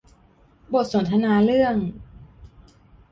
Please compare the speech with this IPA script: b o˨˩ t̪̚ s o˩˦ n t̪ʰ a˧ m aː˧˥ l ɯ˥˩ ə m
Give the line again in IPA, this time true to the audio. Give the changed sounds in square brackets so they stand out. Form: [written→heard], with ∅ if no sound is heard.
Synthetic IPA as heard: b o˨˩ t̪̚ s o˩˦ n t̪ʰ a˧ [m→n] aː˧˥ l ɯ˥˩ ə [m→ŋ]

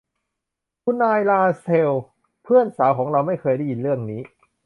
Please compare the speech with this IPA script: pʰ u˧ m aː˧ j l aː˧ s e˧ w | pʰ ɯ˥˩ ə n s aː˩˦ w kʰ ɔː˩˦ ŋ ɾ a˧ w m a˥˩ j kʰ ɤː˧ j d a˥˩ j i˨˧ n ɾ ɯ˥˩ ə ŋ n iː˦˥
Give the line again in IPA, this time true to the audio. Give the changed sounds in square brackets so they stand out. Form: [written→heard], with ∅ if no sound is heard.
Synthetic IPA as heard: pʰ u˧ [m→n] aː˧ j l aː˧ s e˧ w | pʰ ɯ˥˩ ə n s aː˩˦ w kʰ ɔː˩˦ ŋ ɾ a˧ w m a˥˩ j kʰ ɤː˧ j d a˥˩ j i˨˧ n ɾ ɯ˥˩ ə ŋ n iː˦˥

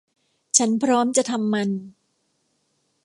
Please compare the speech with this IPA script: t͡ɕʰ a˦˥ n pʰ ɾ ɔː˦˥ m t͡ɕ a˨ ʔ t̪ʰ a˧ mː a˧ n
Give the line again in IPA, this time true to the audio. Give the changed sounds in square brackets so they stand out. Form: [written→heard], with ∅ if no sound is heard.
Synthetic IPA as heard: t͡ɕʰ a˦˥ n pʰ ɾ ɔː˦˥ m t͡ɕ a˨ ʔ t̪ʰ a˧ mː a˧ n

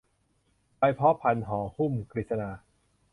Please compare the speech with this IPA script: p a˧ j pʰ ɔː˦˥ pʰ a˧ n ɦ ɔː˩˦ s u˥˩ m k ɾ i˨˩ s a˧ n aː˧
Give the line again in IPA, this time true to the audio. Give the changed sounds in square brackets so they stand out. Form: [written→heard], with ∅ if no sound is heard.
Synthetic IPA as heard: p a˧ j pʰ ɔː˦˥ pʰ a˧ n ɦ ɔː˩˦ [s→h] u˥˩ m k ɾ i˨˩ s a˧ n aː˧

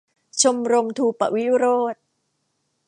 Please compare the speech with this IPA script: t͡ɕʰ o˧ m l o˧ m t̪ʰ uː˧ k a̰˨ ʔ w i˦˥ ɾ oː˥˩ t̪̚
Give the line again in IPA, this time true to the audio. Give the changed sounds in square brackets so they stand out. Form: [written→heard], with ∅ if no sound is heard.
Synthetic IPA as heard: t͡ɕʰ o˧ m [l→ɾ] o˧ m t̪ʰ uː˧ [k→p] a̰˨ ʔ w i˦˥ ɾ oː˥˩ t̪̚

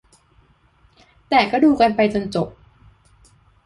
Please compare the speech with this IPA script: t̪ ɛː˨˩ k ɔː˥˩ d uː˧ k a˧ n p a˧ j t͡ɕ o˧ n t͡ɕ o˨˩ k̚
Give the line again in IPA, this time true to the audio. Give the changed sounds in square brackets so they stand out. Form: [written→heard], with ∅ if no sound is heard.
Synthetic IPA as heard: t̪ ɛː˨˩ k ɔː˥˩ d uː˧ k a˧ n p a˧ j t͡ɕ o˧ n t͡ɕ o˨˩ [k̚→p̚]

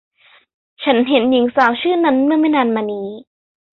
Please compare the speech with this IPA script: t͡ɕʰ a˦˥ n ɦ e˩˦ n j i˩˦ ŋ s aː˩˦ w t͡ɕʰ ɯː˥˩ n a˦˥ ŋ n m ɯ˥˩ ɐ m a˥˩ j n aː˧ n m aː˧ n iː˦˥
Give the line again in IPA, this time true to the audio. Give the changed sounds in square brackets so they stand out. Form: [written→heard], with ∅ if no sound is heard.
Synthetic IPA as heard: t͡ɕʰ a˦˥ n ɦ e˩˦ n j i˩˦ ŋ s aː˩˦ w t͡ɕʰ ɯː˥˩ n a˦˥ [ŋ→∅] n m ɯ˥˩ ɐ m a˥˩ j n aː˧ n m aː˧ n iː˦˥

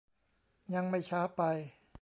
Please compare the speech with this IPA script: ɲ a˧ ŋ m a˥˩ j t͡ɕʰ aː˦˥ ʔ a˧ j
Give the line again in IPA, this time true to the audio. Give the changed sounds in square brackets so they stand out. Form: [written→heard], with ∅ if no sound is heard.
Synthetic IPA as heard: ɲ a˧ ŋ m a˥˩ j t͡ɕʰ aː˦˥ [ʔ→p] a˧ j

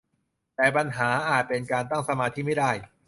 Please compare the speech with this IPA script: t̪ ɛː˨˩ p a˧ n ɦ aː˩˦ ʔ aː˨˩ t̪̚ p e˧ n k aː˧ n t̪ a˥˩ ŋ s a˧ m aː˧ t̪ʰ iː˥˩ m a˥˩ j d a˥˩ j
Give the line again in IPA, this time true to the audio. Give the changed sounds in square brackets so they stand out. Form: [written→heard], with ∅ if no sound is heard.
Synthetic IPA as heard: t̪ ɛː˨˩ p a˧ n ɦ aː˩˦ ʔ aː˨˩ t̪̚ p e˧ n k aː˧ n t̪ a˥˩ ŋ s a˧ m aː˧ t̪ʰ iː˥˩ m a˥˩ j d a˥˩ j

